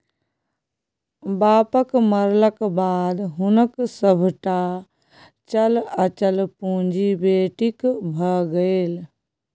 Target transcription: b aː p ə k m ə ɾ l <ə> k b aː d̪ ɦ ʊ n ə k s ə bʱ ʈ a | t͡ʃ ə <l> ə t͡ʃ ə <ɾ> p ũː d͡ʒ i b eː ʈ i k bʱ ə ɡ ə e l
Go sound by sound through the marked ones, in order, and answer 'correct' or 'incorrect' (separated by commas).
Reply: correct, correct, incorrect